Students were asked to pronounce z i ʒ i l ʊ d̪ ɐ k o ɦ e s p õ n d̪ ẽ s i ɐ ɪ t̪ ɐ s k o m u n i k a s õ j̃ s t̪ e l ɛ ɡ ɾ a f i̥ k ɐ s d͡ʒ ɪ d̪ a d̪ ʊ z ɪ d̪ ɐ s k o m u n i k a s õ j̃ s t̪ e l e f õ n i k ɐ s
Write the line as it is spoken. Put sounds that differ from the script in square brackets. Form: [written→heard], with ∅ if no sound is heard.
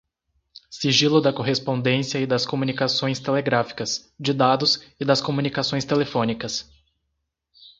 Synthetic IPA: [z→s] i ʒ i l ʊ d̪ ɐ k o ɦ e s p õ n d̪ ẽ s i ɐ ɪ [t̪→d̪] ɐ s k o m u n i k a s õ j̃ s t̪ e l [ɛ→e] ɡ ɾ a f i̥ k ɐ s d͡ʒ ɪ d̪ a d̪ ʊ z ɪ d̪ ɐ s k o m u n i k a s õ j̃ s t̪ e l e f õ n i k ɐ s